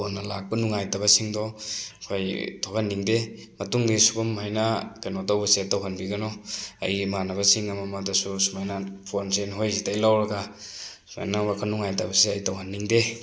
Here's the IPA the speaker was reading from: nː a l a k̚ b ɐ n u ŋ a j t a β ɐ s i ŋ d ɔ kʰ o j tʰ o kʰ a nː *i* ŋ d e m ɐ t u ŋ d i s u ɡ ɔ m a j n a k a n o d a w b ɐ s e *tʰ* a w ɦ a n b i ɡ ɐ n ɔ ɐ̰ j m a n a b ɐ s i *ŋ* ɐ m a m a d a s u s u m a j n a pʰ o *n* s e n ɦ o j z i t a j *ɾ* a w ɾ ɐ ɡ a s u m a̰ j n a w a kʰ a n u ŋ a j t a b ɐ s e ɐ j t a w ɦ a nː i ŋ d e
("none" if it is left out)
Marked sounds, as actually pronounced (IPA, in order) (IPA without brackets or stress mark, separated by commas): i, t, ŋ, n, l